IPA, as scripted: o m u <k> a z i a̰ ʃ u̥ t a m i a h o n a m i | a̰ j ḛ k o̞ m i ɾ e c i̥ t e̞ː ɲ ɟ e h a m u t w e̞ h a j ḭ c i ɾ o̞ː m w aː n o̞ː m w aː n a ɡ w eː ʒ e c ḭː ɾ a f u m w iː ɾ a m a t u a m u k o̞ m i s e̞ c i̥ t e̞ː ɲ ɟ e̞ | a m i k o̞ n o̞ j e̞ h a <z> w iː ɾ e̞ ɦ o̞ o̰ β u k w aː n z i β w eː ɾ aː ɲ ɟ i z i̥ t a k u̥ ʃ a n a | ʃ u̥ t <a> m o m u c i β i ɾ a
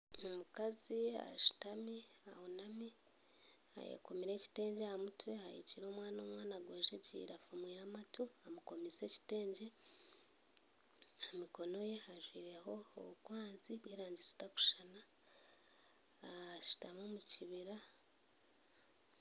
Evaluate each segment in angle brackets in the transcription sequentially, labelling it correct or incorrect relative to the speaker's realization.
correct, incorrect: ʒ, correct

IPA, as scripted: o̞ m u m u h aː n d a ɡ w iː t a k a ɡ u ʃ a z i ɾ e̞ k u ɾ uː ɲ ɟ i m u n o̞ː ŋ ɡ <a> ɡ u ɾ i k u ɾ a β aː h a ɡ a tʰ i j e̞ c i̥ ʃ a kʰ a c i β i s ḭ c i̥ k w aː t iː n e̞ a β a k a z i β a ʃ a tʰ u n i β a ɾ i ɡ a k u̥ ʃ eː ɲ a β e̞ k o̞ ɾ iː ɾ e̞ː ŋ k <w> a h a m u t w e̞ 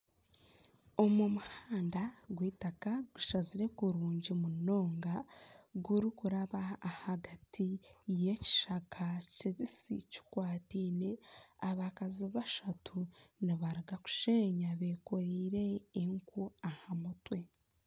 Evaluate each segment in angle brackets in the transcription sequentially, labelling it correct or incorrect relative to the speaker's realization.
correct, incorrect: u

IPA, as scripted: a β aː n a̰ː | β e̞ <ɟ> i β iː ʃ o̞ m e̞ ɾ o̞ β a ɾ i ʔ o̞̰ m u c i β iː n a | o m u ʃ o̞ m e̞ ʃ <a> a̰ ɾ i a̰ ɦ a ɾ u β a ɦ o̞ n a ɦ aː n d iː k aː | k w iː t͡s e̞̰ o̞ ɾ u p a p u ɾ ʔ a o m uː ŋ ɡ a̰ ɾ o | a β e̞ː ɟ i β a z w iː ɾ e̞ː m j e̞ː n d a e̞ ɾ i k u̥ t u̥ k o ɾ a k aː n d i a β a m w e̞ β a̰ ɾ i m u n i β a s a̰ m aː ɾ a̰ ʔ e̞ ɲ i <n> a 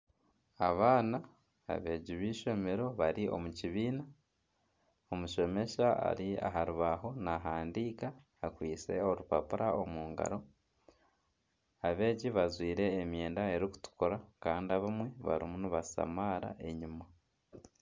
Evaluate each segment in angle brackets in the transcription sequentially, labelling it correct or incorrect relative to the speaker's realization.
correct, correct, incorrect: m

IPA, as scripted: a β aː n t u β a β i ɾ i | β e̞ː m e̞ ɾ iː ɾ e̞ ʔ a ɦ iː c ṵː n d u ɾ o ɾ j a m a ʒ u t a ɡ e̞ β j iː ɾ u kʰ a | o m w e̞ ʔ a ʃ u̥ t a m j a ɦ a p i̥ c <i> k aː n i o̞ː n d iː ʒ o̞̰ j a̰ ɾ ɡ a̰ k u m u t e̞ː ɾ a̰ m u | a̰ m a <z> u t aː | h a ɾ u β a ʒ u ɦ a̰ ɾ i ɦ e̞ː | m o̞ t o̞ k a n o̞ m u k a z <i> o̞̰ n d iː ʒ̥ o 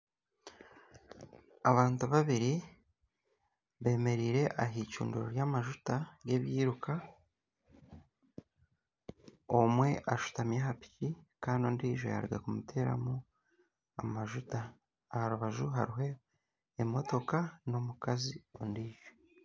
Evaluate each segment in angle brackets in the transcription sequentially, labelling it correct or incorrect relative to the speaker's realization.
correct, incorrect: ʒ, correct

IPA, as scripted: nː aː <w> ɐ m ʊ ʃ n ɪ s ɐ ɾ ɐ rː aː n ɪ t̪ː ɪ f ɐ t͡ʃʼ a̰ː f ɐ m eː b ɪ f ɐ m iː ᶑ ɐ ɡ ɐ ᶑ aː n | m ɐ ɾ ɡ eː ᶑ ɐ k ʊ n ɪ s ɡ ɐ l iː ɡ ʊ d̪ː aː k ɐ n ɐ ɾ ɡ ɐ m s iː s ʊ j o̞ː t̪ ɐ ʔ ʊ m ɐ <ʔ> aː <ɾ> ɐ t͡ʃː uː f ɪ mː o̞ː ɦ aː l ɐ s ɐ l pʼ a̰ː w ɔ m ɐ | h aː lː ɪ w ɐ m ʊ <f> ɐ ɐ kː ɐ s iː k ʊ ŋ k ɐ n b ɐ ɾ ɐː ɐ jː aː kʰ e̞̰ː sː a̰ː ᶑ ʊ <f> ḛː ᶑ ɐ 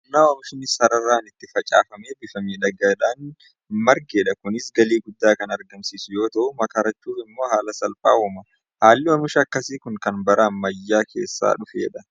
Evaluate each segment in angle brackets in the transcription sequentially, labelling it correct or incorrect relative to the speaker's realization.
correct, incorrect: k, correct, incorrect: ʃ, correct

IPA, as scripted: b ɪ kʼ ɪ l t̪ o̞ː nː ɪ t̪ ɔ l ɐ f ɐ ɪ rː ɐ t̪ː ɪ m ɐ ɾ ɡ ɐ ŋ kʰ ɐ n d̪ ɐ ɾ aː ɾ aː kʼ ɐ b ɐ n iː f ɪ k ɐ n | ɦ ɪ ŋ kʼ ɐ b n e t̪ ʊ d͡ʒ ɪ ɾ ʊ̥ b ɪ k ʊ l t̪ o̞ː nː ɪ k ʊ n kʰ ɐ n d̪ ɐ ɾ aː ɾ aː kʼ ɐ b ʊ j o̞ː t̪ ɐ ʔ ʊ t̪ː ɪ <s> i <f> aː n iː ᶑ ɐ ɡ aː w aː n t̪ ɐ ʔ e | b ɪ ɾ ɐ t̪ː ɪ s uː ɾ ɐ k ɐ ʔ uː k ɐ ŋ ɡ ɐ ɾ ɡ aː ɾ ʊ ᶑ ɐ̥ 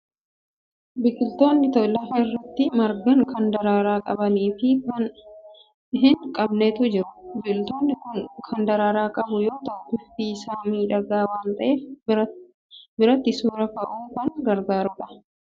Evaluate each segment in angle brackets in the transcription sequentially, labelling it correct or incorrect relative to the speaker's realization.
incorrect: f, incorrect: s

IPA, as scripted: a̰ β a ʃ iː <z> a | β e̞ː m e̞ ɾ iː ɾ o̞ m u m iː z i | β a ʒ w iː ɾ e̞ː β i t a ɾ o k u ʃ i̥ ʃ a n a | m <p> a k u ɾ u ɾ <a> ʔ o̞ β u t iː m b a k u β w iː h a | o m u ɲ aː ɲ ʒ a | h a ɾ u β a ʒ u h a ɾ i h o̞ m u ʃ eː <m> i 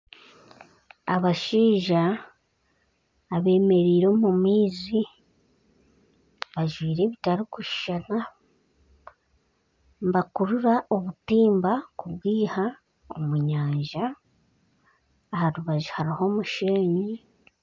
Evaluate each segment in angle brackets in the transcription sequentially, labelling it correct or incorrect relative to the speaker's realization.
incorrect: ʒ, incorrect: b, correct, incorrect: ɲ

